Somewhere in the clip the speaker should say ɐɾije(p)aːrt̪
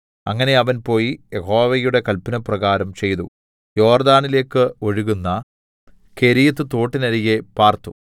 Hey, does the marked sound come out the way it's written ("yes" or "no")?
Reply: yes